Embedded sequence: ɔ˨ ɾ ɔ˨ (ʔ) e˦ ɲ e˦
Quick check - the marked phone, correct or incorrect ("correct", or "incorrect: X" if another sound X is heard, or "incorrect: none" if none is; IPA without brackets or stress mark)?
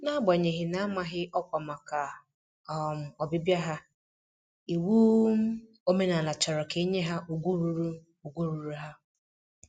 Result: incorrect: k